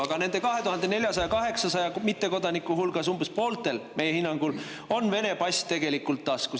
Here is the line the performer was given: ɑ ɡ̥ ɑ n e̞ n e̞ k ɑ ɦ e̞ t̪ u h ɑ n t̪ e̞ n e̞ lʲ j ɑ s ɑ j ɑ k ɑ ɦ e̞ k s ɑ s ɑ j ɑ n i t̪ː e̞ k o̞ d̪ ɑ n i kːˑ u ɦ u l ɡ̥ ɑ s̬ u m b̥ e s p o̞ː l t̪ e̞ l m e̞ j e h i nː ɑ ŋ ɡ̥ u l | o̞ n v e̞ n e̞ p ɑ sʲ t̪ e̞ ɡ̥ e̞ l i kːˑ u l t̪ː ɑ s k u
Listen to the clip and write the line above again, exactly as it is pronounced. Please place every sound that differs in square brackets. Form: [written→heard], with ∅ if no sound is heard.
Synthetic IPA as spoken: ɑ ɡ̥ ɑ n e̞ n e̞ k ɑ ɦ e̞ t̪ u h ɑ n [t̪→d̪] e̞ n e̞ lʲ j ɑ s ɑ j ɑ k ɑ ɦ e̞ k s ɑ s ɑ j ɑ [n→m] i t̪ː e̞ k o̞ d̪ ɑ n i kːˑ u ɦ u l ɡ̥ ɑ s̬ u m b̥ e s p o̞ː l t̪ e̞ l m e̞ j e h i nː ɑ ŋ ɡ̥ u l | o̞ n v e̞ n e̞ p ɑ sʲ t̪ e̞ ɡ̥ e̞ l i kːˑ u l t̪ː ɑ s k u